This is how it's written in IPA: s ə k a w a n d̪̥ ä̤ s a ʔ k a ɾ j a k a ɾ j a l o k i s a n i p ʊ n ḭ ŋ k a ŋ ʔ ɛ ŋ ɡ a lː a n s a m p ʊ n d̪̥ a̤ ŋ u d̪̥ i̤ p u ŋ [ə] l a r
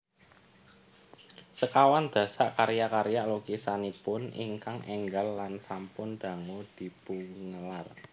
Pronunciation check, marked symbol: correct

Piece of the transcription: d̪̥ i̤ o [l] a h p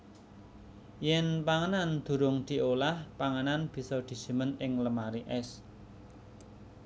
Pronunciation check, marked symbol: correct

